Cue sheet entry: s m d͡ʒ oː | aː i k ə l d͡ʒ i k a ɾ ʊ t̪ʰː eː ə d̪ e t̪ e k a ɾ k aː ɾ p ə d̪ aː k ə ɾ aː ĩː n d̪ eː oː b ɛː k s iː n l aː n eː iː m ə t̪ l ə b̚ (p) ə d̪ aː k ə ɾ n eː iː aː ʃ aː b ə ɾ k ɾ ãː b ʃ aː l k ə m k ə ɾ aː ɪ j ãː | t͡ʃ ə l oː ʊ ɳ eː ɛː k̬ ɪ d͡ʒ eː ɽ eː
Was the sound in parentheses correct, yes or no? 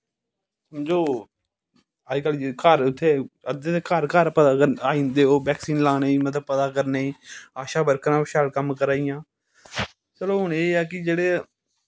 yes